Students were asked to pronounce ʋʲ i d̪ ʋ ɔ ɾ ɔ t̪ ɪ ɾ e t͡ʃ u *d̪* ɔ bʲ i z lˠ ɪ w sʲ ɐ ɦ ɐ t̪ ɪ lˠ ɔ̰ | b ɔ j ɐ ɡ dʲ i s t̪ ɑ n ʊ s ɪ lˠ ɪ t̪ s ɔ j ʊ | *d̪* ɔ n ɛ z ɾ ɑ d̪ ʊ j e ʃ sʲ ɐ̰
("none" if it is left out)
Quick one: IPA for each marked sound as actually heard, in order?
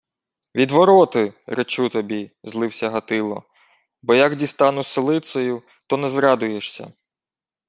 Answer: t̪, t̪

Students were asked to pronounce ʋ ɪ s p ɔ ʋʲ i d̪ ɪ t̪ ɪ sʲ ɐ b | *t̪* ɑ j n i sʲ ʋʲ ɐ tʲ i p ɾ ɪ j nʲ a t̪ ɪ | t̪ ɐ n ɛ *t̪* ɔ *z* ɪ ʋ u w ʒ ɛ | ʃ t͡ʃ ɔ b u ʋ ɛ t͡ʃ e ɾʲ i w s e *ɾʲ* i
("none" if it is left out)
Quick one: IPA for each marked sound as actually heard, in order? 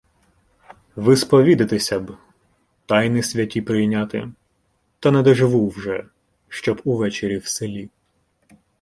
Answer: t̪, d̪, ʒ, lʲ

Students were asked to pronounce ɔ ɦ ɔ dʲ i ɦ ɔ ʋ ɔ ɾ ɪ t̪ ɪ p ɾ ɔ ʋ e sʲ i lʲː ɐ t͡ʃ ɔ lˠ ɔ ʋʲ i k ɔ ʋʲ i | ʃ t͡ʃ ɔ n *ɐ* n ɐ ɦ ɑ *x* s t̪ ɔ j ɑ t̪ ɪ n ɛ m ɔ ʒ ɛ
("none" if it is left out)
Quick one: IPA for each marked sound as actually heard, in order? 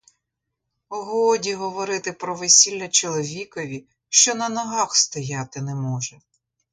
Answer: ɐ, x

